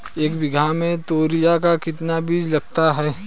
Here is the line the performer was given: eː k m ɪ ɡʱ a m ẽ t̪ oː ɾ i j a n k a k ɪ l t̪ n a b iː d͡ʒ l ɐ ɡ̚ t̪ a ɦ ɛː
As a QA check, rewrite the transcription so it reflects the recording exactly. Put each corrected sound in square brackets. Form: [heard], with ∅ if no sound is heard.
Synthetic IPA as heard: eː k [b] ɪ ɡʱ a m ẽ t̪ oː ɾ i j a [∅] k a k ɪ [∅] t̪ n a b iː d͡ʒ l ɐ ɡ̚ t̪ a ɦ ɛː